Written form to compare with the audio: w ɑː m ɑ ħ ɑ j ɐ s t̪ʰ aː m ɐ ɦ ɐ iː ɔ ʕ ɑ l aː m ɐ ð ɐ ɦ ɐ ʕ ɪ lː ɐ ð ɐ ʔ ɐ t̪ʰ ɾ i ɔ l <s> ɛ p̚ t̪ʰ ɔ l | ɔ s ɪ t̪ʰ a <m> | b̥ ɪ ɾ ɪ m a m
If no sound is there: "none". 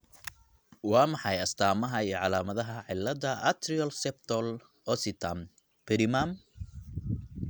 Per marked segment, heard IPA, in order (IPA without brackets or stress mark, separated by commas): s, m